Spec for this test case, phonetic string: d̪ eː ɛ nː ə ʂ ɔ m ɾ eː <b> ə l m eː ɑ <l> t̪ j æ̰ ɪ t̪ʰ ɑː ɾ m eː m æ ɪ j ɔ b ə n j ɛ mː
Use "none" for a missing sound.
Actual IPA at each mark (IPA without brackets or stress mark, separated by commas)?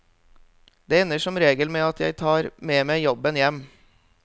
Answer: ɡ, none